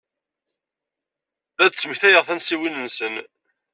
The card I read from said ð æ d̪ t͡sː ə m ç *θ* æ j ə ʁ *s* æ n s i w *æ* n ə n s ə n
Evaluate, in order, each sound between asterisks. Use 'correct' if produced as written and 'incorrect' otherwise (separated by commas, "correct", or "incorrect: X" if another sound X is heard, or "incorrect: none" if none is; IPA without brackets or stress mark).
correct, incorrect: θ, incorrect: i